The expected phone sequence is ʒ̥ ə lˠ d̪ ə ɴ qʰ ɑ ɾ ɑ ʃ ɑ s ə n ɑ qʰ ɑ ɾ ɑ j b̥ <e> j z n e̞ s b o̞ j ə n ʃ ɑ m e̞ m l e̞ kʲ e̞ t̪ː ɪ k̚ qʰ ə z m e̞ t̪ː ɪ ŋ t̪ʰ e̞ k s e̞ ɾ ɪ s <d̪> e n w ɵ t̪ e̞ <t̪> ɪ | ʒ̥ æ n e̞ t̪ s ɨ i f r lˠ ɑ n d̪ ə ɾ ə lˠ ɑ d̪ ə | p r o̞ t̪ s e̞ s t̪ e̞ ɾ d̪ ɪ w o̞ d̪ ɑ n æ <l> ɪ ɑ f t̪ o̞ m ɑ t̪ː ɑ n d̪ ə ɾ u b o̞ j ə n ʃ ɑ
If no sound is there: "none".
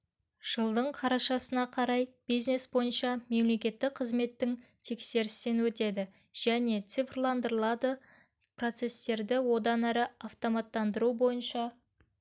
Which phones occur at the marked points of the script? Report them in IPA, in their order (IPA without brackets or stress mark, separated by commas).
i, t̪, d̪, ɾ